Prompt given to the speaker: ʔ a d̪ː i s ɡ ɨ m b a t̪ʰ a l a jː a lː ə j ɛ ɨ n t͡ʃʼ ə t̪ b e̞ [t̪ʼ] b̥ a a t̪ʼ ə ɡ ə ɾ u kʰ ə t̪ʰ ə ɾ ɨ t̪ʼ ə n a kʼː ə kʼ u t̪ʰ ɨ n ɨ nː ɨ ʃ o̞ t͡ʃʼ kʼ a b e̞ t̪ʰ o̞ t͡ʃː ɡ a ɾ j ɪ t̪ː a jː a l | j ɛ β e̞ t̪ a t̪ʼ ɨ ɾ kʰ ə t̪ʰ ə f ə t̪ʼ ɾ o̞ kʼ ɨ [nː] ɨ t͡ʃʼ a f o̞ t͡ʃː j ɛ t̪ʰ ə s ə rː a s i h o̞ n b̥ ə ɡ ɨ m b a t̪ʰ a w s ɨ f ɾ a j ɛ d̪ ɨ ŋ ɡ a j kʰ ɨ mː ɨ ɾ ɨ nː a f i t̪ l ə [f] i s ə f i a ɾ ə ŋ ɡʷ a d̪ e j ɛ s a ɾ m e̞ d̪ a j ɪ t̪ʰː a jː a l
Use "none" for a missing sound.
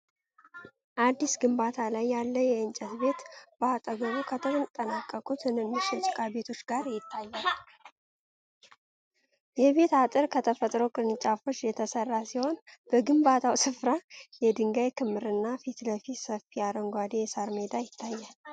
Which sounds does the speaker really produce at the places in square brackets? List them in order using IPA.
t̪, n, f

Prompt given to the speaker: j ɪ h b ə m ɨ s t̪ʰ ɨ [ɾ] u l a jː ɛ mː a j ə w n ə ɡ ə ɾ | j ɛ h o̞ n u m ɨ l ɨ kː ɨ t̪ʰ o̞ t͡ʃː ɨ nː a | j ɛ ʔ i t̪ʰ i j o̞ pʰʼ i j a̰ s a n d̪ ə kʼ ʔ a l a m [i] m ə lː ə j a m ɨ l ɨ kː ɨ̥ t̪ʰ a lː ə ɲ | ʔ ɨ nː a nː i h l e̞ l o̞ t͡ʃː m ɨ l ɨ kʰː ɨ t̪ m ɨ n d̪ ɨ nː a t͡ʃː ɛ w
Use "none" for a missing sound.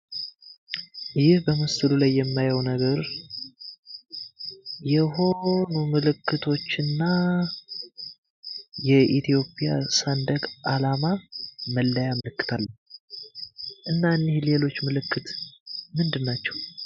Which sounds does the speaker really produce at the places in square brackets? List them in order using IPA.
l, a

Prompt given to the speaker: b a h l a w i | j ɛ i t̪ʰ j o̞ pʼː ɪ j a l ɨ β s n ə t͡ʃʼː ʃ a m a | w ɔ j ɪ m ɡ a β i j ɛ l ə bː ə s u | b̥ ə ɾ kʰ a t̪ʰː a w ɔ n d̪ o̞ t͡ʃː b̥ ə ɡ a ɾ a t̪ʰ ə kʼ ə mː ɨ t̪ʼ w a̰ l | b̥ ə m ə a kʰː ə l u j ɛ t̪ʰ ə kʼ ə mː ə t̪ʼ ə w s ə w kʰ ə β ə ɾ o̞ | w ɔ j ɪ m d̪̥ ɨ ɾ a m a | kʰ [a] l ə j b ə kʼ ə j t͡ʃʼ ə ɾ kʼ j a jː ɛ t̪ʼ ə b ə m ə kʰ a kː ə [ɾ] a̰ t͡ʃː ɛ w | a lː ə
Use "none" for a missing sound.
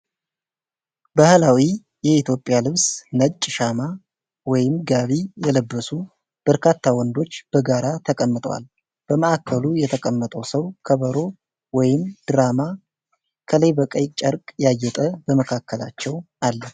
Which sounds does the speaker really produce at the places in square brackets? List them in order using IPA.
ə, l

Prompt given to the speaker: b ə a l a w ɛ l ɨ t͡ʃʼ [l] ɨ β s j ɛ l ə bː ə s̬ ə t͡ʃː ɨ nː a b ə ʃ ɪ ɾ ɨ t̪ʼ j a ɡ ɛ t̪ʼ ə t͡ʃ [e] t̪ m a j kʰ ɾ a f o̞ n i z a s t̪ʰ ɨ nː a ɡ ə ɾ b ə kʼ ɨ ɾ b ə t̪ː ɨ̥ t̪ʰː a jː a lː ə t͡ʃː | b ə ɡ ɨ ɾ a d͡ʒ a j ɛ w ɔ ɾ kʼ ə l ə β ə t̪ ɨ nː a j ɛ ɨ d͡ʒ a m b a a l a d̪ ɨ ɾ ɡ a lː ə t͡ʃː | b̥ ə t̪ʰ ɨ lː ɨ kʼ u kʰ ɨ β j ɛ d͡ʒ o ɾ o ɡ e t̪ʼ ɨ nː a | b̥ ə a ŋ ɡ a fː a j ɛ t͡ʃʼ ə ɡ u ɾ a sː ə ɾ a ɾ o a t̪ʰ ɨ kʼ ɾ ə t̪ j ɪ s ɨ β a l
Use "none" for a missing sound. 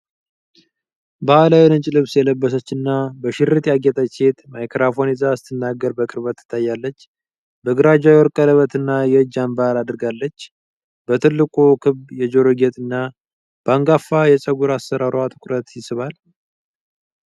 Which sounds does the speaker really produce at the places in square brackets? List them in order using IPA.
l, e

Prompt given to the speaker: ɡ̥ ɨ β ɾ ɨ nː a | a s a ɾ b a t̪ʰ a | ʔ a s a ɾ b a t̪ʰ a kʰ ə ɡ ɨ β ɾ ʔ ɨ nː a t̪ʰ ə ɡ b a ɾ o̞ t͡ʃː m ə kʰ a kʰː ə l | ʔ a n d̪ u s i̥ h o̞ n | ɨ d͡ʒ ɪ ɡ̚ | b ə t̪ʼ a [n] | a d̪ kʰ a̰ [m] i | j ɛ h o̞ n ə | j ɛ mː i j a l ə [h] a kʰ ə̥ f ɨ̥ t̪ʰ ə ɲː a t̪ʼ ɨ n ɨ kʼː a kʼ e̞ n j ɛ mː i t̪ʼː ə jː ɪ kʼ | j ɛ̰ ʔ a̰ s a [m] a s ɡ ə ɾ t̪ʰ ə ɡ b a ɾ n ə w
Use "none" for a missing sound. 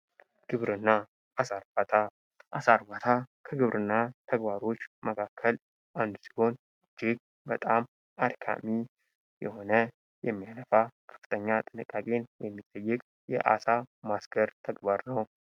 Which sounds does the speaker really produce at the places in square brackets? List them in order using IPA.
m, m, f, m

